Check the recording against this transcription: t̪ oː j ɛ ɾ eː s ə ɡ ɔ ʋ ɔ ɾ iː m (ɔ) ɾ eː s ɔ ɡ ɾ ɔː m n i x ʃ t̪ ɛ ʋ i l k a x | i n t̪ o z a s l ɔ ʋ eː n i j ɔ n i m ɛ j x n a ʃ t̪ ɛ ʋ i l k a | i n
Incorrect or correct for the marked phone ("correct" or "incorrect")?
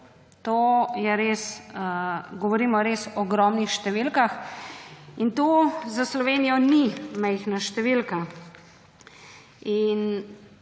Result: correct